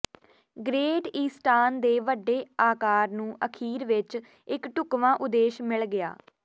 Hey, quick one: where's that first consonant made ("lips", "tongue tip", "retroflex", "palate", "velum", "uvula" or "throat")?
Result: velum